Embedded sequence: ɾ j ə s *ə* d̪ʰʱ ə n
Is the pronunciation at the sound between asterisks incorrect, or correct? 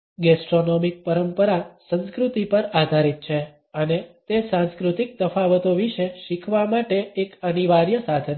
incorrect